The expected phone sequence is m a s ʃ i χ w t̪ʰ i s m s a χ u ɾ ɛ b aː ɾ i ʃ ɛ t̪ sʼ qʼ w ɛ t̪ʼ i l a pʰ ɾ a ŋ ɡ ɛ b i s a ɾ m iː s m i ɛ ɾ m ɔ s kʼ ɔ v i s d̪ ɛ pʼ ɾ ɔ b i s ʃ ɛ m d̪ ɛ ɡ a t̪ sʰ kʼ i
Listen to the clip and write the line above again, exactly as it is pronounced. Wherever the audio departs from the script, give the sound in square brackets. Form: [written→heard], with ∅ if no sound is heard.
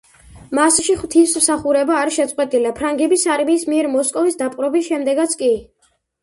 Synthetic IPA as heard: m a s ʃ i χ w t̪ʰ i s m s a χ u ɾ ɛ b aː ɾ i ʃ ɛ t̪ sʼ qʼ w ɛ t̪ʼ i l a pʰ ɾ a ŋ ɡ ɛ b i s a ɾ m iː s m i ɛ ɾ m ɔ s kʼ ɔ v i s d̪ [ɛ→a] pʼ ɾ ɔ b i s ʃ ɛ m d̪ ɛ ɡ a t̪ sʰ kʼ i

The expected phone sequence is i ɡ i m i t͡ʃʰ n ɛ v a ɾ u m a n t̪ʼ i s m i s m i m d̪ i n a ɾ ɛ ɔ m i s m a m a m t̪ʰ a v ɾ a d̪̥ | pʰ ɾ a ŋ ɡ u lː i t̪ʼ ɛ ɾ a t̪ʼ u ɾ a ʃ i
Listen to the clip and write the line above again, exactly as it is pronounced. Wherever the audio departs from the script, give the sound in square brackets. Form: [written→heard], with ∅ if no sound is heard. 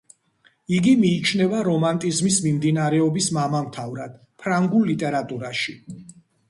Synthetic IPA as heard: i ɡ i m [i→iː] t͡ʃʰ n ɛ v a ɾ [u→ɔ] m a n t̪ʼ i [s→z] m i s m i m d̪ i n a ɾ ɛ ɔ [m→b] i s m a m a m t̪ʰ a v ɾ a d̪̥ | pʰ ɾ a ŋ ɡ u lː i t̪ʼ ɛ ɾ a t̪ʼ u ɾ a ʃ i

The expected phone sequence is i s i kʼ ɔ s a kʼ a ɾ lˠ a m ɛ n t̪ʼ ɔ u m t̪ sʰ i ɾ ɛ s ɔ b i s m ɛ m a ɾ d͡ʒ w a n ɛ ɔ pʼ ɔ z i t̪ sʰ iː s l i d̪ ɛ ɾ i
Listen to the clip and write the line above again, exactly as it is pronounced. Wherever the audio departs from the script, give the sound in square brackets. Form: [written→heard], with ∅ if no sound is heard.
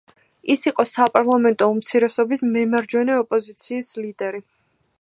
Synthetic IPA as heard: i s i [kʼ→qʼ] ɔ s a [kʼ→pʼ] a ɾ lˠ a m ɛ n t̪ʼ ɔ u m t̪ sʰ i ɾ ɛ s ɔ b i s m ɛ m a ɾ d͡ʒ w [a→ɛ] n ɛ ɔ pʼ ɔ z i t̪ sʰ iː s l i d̪ ɛ ɾ i

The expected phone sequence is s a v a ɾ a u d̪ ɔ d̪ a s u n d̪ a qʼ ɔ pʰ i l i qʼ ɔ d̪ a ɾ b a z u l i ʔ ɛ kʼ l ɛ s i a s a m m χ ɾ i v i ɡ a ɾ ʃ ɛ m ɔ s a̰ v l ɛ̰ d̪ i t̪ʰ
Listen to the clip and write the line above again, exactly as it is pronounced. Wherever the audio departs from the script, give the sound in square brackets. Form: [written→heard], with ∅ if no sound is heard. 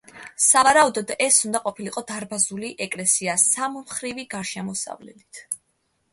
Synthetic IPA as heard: s a v a ɾ a u d̪ ɔ d̪ [a→ɛ] s u n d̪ a qʼ ɔ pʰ i l i qʼ ɔ d̪ a ɾ b a z u l i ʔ ɛ kʼ l ɛ s i a s a m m χ ɾ i v i ɡ a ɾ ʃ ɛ m ɔ s a̰ v l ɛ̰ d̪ i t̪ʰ

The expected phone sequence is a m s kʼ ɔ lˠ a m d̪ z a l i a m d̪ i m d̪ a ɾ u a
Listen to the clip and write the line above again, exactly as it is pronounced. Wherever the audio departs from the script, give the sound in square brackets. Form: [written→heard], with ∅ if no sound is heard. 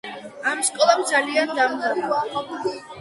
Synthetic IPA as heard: a m s kʼ ɔ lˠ a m d̪ z a l i a [m→n] d̪ [i→a] m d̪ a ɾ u a

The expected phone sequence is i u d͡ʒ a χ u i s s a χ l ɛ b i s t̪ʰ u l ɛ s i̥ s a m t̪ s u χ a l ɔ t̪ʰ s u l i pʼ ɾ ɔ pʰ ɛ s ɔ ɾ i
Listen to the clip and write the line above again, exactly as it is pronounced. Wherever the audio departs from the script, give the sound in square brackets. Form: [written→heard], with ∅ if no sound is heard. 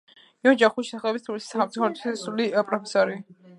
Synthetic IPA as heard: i [u→ɔ] d͡ʒ a χ u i [s→ʃ] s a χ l ɛ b i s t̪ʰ u l [ɛ→i] s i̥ s a m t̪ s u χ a [l→ɾ] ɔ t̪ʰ s u l i pʼ ɾ ɔ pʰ ɛ s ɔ ɾ i

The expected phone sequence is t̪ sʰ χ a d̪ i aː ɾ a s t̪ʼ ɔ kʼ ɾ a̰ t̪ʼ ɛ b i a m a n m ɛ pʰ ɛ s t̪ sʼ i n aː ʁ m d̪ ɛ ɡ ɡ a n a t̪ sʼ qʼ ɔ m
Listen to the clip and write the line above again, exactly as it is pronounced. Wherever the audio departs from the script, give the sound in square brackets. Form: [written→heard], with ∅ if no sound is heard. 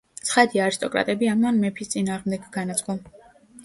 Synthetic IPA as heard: t̪ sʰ χ a d̪ i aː ɾ [a→i] s t̪ʼ ɔ kʼ ɾ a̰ t̪ʼ ɛ b i a m a n m ɛ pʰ [ɛ→i] s t̪ sʼ i n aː ʁ m d̪ ɛ ɡ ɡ a n a t̪ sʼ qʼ ɔ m

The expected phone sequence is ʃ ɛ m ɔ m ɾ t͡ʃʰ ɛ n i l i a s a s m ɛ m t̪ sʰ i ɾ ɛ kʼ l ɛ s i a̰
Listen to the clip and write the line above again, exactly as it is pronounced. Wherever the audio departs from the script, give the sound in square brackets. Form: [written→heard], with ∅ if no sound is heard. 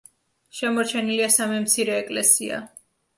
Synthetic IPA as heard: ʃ ɛ m ɔ [m→∅] ɾ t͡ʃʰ ɛ n i l i a s a [s→∅] m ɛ m t̪ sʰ i ɾ [ɛ→ɛː] kʼ l ɛ s i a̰

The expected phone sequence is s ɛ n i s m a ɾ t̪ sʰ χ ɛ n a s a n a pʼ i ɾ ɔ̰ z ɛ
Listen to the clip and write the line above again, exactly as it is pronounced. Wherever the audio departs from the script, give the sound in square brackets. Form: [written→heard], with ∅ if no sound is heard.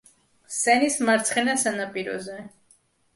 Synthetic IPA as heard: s ɛ n i s m a ɾ t̪ sʰ χ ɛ n a s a n a pʼ i ɾ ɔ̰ z ɛ

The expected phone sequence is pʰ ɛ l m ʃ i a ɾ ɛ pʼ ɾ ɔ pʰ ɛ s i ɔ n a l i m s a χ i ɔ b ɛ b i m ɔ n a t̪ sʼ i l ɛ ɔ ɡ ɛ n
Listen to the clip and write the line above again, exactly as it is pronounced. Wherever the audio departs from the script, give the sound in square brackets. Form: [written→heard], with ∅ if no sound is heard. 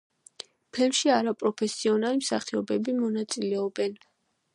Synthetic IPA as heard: pʰ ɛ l m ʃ i a ɾ [ɛ→a] pʼ ɾ ɔ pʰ ɛ s i ɔ n a l i m s a χ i ɔ b ɛ b i m ɔ n a t̪ sʼ i l ɛ ɔ [ɡ→b] ɛ n

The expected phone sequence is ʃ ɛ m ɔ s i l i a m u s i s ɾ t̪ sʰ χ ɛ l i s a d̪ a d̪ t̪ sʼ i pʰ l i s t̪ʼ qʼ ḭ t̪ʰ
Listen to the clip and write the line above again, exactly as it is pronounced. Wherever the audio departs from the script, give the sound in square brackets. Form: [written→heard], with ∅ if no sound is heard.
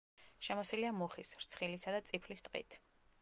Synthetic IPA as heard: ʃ ɛ m ɔ s i l i a m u [s→χ] i s ɾ t̪ sʰ χ [ɛ→i] l i s a d̪ a [d̪→∅] t̪ sʼ i pʰ l i s t̪ʼ qʼ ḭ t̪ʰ

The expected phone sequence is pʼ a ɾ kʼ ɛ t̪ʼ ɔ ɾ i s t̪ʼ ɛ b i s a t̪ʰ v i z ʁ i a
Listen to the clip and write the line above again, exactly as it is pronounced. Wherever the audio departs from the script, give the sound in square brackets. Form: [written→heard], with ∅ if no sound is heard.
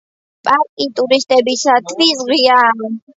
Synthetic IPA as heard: pʼ a ɾ kʼ [ɛ→i] t̪ʼ [ɔ→u] ɾ i s t̪ʼ ɛ b i s a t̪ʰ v i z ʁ i a

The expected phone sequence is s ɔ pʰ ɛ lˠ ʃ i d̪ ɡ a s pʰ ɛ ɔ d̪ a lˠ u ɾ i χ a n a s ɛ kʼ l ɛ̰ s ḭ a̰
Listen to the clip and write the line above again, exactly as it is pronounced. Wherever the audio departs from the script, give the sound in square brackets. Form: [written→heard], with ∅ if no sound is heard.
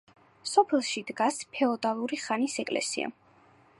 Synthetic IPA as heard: s ɔ pʰ ɛ lˠ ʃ i d̪ ɡ a s pʰ ɛ ɔ d̪ a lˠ u ɾ i χ a n [a→i] s ɛ kʼ l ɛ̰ s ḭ a̰

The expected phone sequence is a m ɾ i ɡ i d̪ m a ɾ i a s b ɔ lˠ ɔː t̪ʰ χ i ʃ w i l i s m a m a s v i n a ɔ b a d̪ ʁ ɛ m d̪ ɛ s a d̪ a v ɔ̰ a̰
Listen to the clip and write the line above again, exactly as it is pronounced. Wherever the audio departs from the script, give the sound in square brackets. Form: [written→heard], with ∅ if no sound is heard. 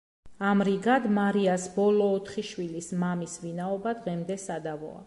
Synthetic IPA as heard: a m ɾ i ɡ [i→a] d̪ m a ɾ i a s b ɔ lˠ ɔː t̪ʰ χ i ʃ w i l i s m a m [a→i] s v i n a ɔ b a d̪ ʁ ɛ m d̪ ɛ s a d̪ a v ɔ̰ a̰

